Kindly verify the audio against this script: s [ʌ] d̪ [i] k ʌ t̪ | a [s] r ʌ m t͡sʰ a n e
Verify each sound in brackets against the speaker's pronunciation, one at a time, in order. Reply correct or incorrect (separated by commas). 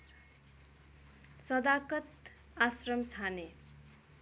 correct, incorrect, correct